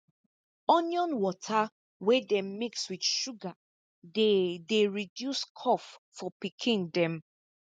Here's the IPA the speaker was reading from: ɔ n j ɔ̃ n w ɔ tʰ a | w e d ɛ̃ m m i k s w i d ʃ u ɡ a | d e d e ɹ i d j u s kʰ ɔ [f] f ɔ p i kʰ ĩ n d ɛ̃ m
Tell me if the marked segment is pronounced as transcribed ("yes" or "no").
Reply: yes